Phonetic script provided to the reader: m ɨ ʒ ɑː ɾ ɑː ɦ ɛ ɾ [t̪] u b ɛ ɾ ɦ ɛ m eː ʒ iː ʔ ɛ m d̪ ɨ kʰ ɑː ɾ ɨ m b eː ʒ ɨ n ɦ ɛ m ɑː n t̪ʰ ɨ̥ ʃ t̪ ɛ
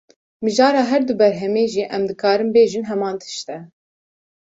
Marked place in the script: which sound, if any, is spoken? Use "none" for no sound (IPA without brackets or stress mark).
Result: d̪